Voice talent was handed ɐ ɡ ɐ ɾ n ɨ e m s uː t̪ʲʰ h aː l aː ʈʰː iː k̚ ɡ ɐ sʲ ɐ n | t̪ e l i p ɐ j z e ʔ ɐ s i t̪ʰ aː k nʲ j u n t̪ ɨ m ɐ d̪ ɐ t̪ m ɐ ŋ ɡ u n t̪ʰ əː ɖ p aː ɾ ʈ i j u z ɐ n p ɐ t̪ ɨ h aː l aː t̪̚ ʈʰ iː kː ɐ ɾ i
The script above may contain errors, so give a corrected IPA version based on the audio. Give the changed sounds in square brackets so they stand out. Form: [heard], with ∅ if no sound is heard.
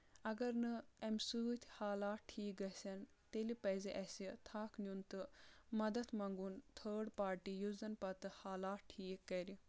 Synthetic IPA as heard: ɐ ɡ ɐ ɾ n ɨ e m s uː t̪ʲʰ h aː l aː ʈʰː iː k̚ ɡ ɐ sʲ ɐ n | t̪ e l i p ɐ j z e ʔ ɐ s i t̪ʰ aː k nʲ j u n t̪ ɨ m ɐ d̪ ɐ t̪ m ɐ ŋ ɡ u n t̪ʰ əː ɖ p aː ɾ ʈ i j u z ɐ n p ɐ t̪ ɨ h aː l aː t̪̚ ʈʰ iː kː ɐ ɾ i